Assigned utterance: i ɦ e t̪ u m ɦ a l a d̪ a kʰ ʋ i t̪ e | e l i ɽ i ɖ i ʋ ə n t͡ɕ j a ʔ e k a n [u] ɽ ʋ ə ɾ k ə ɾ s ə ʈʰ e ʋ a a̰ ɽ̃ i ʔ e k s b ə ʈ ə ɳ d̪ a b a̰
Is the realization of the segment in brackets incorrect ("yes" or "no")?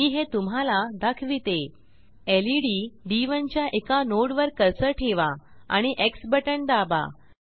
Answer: yes